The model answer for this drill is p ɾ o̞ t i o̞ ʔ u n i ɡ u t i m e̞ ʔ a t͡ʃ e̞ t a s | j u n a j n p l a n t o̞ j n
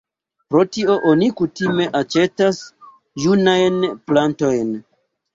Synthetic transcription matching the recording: p ɾ o̞ t i o̞ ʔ o n i k u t i m e̞ ʔ a t͡ʃ e̞ t a s | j u n a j n p l a n t o̞ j n